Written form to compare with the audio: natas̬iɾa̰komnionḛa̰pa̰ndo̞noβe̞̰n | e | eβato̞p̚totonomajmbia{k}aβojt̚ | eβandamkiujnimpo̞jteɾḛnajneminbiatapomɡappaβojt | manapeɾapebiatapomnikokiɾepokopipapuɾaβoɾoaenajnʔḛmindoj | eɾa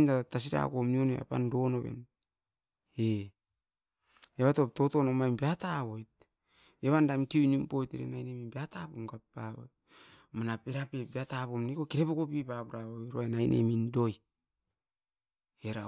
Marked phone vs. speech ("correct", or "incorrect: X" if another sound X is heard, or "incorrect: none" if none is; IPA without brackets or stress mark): incorrect: t